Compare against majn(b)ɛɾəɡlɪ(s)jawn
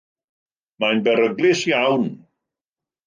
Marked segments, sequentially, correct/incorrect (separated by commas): correct, correct